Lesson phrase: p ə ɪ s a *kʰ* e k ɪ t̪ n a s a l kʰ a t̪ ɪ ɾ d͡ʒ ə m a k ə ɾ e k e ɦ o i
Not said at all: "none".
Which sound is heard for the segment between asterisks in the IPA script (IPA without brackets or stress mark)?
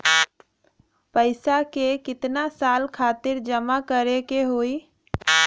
k